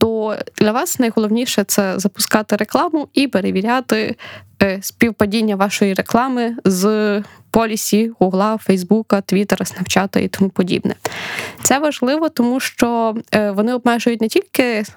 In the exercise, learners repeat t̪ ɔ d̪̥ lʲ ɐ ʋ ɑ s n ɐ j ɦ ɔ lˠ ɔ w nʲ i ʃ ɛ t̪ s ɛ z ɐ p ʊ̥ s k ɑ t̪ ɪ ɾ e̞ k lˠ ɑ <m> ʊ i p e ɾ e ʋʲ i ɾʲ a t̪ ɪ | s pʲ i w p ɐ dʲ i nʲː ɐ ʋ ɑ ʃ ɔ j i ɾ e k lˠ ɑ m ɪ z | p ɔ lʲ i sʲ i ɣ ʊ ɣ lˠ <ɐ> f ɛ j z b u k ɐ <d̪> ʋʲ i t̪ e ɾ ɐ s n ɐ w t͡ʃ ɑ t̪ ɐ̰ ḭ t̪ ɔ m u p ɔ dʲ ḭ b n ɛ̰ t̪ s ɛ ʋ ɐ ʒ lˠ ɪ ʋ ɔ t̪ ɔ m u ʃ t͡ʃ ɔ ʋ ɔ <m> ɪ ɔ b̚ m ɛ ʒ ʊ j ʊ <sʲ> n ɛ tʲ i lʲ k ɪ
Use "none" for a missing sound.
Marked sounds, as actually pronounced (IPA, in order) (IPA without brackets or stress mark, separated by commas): m, ɑ, t̪, n, tʲ